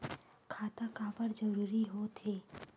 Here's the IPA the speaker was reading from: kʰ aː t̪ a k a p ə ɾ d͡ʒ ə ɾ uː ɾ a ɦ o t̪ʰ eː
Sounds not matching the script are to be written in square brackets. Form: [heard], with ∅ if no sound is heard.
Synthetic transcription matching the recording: kʰ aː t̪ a k a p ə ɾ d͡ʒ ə ɾ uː ɾ [i] ɦ o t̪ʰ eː